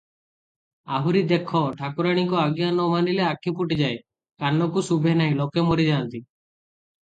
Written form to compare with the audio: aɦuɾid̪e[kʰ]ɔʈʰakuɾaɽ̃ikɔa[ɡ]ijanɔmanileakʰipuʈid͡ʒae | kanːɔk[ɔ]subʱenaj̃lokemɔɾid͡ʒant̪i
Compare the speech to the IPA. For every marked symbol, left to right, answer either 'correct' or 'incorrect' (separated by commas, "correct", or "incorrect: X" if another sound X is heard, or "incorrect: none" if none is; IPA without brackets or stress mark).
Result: correct, correct, incorrect: u